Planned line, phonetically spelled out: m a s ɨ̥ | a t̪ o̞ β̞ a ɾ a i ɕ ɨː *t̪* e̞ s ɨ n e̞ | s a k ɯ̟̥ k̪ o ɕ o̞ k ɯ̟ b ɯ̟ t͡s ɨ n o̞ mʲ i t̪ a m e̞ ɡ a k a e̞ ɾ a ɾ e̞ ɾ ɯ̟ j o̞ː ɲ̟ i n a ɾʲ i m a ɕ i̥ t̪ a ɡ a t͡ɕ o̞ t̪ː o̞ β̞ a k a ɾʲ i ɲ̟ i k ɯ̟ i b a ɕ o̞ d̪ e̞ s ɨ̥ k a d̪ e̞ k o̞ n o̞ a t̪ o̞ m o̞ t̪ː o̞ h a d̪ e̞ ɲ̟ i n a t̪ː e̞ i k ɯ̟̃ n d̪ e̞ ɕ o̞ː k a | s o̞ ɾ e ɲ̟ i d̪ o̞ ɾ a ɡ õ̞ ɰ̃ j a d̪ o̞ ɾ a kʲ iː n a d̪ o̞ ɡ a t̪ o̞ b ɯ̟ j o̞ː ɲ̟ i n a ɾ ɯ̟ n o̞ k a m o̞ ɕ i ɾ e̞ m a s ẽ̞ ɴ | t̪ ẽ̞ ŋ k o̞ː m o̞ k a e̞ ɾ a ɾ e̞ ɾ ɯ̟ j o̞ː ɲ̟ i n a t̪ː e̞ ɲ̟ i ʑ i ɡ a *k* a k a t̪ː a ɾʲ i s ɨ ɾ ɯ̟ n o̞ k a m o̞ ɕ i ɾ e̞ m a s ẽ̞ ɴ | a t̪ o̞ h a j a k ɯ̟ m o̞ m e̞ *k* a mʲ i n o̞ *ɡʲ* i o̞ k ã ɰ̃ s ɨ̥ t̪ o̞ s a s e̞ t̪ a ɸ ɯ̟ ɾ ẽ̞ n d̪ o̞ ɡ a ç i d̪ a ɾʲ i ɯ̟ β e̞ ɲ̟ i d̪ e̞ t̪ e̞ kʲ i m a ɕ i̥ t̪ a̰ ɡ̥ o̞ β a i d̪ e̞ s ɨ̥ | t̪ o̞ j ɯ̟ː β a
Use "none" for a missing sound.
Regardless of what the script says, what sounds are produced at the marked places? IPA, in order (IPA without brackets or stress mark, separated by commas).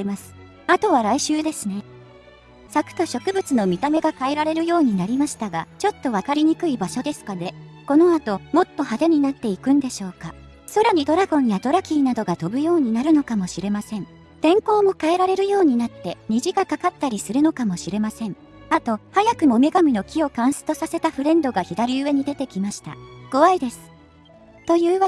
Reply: d̪, k, ɡ, kʲ